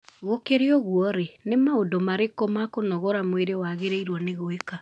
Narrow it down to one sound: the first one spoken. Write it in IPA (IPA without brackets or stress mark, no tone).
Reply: ɣ